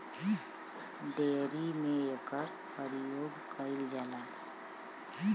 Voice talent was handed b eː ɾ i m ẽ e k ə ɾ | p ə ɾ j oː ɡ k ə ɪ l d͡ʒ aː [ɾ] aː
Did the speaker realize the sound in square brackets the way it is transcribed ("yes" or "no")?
no